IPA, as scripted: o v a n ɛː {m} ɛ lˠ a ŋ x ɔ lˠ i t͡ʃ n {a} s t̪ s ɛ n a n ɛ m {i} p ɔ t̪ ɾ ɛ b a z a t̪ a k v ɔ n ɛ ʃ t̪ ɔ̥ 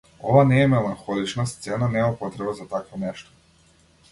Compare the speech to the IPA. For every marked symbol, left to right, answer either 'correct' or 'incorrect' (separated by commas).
correct, correct, incorrect